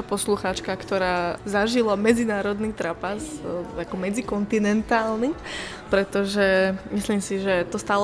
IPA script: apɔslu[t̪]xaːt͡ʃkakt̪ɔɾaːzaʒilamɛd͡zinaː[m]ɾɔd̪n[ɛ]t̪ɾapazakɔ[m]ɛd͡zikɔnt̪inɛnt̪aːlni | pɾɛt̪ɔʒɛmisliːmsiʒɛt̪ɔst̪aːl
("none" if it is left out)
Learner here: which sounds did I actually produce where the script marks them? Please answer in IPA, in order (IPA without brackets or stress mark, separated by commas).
none, none, i, m